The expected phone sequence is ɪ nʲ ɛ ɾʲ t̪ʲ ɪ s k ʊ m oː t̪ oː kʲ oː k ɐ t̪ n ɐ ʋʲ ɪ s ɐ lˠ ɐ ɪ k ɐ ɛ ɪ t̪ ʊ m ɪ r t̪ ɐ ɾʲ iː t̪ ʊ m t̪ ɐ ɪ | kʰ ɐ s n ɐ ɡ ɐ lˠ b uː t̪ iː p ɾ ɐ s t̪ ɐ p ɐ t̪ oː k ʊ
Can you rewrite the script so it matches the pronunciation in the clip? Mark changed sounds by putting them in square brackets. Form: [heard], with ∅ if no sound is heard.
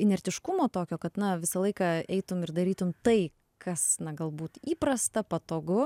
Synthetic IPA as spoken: ɪ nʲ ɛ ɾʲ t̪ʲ ɪ [ʃ] k ʊ m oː t̪ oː kʲ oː k ɐ t̪ n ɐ ʋʲ ɪ s ɐ lˠ ɐ ɪ k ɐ ɛ ɪ t̪ ʊ m ɪ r [d̪] ɐ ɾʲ iː t̪ ʊ m t̪ ɐ ɪ | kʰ ɐ s n ɐ ɡ ɐ lˠ b uː t̪ iː p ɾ ɐ s t̪ ɐ p ɐ t̪ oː [ɡ] ʊ